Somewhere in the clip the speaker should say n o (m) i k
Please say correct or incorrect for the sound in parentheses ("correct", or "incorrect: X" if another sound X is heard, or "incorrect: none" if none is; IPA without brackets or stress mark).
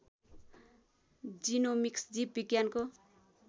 correct